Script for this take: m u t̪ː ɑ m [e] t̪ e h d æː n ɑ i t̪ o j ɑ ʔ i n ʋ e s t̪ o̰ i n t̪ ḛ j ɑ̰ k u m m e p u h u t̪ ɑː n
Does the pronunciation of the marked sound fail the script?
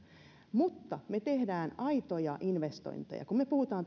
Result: no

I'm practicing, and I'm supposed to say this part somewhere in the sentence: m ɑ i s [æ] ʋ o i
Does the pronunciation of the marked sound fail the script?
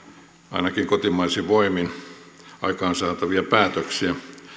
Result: yes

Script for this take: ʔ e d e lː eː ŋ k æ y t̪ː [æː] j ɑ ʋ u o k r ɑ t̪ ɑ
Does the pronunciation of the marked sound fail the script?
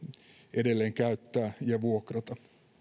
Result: no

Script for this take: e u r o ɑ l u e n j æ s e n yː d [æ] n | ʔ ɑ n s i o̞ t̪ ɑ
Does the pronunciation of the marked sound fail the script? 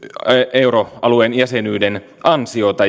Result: yes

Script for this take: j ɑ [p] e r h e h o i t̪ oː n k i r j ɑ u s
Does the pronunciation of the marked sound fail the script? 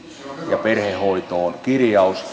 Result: no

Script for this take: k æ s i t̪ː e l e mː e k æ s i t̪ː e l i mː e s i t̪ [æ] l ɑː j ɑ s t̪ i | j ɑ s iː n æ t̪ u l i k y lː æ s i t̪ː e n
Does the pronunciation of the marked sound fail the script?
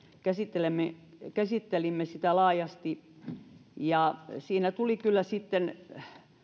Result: no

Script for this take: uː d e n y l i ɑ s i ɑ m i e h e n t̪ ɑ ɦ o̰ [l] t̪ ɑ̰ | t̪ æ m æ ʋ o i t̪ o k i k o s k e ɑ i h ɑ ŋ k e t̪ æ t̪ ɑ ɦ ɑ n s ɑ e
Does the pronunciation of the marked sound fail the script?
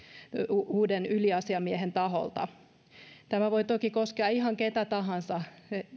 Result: no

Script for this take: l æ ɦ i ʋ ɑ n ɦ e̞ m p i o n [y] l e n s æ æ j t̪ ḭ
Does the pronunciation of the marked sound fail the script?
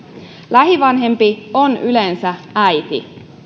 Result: no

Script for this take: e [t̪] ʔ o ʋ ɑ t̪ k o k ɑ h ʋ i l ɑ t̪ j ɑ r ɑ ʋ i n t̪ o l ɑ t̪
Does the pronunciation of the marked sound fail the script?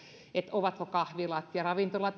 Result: no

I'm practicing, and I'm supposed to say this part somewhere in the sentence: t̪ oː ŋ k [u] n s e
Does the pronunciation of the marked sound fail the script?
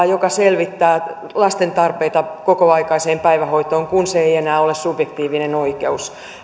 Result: no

